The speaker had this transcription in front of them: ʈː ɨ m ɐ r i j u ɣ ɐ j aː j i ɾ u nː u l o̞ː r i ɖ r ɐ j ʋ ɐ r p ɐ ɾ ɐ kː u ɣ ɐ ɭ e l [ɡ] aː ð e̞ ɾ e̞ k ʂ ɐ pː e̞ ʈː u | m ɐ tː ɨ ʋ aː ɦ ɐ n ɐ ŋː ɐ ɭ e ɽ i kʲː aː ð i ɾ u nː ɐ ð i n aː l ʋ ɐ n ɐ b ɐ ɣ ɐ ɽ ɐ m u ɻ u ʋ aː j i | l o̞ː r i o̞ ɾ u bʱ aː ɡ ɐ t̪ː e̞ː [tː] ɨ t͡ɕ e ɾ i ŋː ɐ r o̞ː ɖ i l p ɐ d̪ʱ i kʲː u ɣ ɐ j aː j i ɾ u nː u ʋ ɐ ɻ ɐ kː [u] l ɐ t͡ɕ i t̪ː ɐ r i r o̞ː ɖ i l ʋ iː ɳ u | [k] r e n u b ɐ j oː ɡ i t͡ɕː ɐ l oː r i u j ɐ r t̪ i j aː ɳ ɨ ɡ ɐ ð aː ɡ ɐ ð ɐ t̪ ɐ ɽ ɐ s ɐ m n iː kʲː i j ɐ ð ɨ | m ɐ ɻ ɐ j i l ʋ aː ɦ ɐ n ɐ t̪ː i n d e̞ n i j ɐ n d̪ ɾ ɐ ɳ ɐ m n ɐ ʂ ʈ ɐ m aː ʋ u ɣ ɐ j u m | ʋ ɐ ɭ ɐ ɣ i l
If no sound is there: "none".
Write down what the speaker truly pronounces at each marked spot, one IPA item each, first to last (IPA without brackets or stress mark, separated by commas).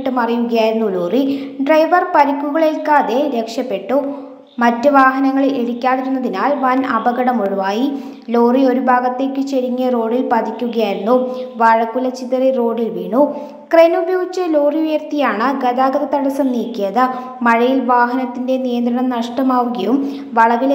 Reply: k, kː, u, k